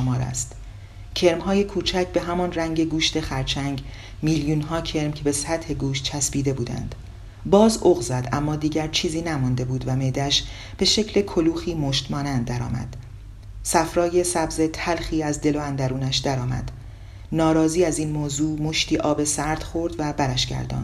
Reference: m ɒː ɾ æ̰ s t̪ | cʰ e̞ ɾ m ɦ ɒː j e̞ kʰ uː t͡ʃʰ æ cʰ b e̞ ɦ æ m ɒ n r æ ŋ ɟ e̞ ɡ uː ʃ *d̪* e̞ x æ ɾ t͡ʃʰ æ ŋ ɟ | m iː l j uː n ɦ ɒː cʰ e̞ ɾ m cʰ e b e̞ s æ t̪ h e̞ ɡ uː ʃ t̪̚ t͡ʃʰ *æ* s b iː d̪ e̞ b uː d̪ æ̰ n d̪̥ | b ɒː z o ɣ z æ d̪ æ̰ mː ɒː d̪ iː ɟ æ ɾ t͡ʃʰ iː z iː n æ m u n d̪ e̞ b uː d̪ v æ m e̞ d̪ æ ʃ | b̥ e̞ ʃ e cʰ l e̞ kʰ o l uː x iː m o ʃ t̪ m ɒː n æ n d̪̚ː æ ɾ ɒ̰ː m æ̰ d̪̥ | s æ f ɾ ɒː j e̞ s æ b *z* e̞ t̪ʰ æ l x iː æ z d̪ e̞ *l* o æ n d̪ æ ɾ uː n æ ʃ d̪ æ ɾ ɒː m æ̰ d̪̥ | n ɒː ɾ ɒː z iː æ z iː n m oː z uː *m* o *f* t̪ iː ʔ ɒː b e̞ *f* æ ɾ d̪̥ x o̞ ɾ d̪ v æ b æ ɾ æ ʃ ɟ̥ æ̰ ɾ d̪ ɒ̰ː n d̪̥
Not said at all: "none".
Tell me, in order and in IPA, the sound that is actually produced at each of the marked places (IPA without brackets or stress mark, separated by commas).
t̪, æ, z, l, m, ʃ, s